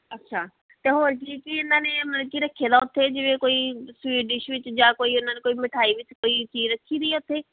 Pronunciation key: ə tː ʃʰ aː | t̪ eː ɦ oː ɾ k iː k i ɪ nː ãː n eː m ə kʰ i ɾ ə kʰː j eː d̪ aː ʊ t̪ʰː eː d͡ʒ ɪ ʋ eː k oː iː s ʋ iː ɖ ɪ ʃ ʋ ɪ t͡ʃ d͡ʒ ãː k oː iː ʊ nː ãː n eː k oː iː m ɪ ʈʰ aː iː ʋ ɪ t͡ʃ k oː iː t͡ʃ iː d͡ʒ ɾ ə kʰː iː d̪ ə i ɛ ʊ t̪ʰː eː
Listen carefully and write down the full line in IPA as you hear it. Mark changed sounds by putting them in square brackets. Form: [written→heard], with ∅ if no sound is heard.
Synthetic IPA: ə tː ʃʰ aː | t̪ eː ɦ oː ɾ k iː k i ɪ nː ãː n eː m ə [kʰ→k] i ɾ ə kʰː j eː d̪ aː ʊ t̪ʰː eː d͡ʒ ɪ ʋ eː k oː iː s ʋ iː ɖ ɪ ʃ ʋ ɪ t͡ʃ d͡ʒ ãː k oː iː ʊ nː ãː n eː k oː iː m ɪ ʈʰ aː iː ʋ ɪ t͡ʃ k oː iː t͡ʃ iː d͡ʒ ɾ ə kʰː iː d̪ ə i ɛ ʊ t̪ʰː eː